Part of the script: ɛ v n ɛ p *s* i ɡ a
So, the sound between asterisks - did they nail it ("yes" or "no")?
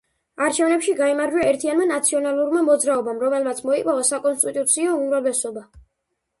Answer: no